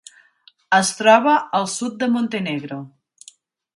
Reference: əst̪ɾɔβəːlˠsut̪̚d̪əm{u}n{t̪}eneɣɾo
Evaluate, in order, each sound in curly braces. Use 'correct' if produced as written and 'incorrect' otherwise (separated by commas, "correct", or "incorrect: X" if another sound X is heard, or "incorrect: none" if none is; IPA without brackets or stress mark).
incorrect: o, correct